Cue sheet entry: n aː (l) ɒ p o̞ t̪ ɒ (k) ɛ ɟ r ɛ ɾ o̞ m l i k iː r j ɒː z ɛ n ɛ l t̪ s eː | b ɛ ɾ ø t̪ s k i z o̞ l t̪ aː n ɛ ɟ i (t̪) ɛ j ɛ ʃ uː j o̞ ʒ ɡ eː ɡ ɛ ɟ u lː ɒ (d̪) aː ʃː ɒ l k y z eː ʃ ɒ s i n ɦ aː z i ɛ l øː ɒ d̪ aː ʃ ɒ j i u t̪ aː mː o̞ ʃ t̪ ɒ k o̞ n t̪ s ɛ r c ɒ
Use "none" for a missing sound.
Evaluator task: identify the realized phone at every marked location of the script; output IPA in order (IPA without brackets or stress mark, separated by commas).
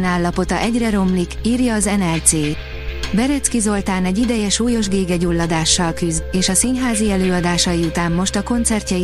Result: lː, ʔ, d̪, d̪